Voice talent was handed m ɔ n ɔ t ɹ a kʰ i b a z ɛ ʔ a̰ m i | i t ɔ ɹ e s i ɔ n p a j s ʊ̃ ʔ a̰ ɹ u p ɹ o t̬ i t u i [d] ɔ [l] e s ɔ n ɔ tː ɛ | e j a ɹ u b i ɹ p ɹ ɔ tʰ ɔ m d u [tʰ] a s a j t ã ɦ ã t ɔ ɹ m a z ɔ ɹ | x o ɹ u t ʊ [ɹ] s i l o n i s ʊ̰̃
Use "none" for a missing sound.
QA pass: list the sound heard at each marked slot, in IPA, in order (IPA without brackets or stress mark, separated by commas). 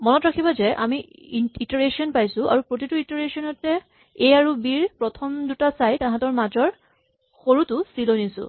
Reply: t, ɹ, t, none